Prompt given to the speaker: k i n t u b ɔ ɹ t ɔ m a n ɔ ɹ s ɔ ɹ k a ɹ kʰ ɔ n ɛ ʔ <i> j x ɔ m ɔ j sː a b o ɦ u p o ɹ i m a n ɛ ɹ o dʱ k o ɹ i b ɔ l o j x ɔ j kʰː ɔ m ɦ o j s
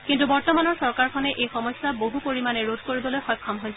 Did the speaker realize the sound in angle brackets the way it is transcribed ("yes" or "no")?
no